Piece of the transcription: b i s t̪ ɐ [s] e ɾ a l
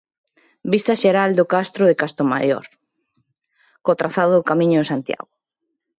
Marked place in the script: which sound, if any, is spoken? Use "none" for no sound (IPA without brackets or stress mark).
ʃ